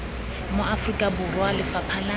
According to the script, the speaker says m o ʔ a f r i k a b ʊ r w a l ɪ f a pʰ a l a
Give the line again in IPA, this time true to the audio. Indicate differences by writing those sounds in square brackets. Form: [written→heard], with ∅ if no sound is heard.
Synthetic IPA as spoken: m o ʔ a f r i [k→kʼ] a b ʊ r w a l ɪ f a pʰ a l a